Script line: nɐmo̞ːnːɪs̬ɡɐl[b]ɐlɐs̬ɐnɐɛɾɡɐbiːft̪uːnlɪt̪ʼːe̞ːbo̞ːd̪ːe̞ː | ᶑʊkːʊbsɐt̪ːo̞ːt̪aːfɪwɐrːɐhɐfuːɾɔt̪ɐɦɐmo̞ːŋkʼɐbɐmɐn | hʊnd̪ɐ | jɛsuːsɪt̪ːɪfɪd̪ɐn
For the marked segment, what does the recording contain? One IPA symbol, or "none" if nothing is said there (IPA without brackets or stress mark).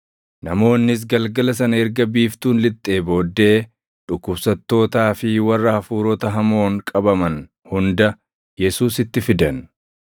ɡ